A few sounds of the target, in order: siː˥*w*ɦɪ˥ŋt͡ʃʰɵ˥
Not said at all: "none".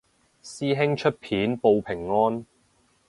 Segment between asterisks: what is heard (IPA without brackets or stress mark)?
none